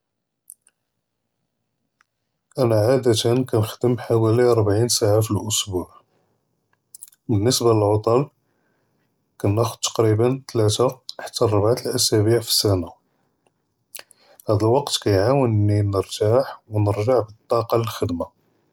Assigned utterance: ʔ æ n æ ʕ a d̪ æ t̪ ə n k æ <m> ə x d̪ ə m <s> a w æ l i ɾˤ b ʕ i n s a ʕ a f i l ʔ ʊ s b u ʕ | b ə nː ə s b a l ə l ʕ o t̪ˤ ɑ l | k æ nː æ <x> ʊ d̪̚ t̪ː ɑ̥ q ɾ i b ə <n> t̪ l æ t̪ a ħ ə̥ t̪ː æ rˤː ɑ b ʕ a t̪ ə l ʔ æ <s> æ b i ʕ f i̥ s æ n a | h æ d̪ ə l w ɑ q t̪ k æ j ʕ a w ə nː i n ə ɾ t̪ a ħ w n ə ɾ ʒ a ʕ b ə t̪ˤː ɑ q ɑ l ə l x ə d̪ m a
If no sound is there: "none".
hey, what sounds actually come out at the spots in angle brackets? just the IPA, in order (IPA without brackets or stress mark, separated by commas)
n, ħ, x, n, s